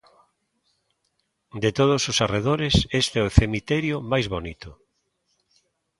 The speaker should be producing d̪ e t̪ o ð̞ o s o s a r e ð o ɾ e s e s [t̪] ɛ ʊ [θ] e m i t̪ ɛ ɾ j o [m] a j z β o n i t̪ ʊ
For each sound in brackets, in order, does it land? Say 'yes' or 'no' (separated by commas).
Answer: yes, yes, yes